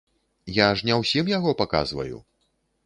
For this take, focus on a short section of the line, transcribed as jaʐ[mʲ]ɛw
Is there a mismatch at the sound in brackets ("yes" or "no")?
yes